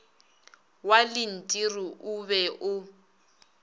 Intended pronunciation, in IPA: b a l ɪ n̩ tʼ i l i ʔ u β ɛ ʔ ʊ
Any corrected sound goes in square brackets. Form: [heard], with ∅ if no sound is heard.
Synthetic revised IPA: [w] a l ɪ n̩ tʼ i [r] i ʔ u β ɛ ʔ ʊ